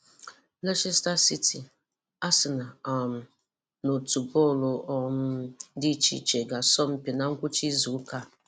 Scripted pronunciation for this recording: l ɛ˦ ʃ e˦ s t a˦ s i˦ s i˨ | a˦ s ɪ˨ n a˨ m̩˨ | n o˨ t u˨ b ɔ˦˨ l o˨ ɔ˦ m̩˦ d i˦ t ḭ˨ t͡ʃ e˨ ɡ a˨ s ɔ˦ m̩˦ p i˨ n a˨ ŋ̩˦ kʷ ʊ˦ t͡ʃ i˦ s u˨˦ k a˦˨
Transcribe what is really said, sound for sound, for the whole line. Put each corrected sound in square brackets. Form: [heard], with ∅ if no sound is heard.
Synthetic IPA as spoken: l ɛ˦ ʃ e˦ s t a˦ s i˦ [t] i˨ | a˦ s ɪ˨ n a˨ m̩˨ | n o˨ t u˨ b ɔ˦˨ l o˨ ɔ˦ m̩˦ d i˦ [t͡ʃ] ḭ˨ t͡ʃ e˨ ɡ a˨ s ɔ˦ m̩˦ p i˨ n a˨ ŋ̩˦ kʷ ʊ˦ t͡ʃ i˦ [z] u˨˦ k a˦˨